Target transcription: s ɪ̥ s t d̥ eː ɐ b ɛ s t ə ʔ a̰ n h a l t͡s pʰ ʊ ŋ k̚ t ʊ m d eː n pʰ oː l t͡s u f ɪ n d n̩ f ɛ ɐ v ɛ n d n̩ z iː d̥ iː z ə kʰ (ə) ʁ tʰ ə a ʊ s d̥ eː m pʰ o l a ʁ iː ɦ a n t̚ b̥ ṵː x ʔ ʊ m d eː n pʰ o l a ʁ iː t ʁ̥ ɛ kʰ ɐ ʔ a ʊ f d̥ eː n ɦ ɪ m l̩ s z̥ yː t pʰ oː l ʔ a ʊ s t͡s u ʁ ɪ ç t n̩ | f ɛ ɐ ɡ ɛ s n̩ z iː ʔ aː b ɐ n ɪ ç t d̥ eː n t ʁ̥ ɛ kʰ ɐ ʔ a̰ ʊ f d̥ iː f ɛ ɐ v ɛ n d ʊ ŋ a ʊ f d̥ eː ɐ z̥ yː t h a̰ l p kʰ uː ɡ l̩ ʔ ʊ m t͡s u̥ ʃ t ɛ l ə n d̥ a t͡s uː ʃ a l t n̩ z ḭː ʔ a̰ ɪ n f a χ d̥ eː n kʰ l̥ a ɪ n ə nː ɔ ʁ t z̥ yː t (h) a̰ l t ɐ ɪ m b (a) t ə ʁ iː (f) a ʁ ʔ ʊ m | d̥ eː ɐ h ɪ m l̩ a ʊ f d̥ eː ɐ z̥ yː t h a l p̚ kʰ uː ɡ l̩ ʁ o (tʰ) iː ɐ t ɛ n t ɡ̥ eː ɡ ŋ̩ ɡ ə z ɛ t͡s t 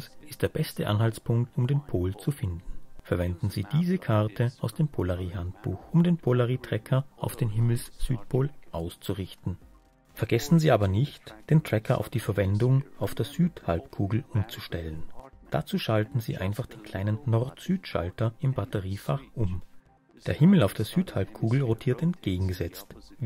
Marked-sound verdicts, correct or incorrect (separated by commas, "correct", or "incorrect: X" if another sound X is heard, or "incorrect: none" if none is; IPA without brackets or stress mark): incorrect: a, incorrect: ʃ, correct, correct, correct